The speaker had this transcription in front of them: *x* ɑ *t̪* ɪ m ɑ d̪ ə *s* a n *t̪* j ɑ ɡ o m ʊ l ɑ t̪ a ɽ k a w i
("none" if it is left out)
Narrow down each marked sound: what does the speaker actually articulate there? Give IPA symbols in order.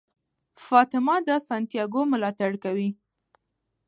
f, t̪, s, t̪

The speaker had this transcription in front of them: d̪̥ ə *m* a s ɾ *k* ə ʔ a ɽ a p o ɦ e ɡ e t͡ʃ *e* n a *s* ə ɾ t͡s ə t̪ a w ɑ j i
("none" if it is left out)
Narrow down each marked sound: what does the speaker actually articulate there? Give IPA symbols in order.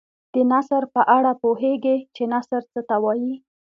n, p, e, s

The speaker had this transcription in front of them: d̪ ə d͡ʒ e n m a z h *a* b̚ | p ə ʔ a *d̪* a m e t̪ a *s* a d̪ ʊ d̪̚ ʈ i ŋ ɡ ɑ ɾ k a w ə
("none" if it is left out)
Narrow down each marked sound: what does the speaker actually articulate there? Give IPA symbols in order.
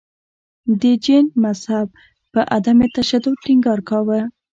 a, d̪, ʃ

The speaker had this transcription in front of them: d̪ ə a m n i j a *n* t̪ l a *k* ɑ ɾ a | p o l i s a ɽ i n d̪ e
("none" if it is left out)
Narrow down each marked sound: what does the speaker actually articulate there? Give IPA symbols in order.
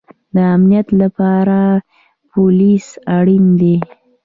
none, p

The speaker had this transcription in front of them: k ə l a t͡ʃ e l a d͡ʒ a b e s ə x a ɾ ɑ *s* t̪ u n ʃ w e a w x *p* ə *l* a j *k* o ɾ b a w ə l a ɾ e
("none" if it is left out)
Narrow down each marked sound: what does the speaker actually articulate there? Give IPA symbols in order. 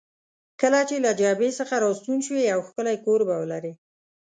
s, k, l, k

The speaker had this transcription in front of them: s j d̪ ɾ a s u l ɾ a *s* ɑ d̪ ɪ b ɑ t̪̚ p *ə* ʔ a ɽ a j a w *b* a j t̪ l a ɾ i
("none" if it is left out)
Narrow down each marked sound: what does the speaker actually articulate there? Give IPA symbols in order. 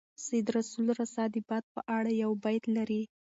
s, ə, b

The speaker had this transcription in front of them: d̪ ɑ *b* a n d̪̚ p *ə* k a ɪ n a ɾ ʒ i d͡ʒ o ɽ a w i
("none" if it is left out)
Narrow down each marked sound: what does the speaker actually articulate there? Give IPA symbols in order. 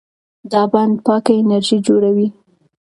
b, ɑ

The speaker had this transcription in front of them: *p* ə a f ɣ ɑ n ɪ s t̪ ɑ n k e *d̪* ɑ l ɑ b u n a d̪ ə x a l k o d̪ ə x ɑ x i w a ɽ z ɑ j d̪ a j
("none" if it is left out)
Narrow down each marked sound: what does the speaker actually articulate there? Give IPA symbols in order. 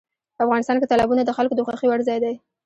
p, t̪

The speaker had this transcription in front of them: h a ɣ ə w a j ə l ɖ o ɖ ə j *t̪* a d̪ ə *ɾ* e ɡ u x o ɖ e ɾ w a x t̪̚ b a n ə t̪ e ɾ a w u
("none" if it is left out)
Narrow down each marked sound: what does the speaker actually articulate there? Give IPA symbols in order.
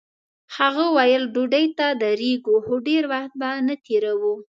t̪, ɾ

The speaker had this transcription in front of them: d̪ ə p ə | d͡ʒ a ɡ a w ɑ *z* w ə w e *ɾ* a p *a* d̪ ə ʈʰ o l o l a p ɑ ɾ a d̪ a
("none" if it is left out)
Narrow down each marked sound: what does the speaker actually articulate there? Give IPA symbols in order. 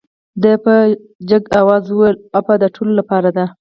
z, l, a

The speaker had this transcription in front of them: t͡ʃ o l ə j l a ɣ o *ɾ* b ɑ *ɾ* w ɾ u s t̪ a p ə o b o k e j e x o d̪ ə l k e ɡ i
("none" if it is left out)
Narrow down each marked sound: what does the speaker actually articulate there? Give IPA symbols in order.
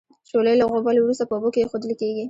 none, l

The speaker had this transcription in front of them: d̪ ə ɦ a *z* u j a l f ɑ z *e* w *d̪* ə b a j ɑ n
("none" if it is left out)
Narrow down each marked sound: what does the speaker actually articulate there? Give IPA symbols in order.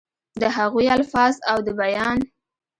ɣ, a, d̪

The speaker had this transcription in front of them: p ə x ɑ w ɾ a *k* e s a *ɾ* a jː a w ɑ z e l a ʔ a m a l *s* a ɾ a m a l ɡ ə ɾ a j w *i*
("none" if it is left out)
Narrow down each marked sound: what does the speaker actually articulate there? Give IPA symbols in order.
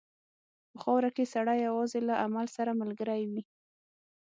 k, ɽ, s, i

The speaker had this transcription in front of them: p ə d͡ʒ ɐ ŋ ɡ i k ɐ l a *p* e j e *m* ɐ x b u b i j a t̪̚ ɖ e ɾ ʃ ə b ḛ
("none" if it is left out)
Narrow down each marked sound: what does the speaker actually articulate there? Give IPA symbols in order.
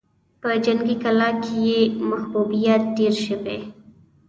k, m

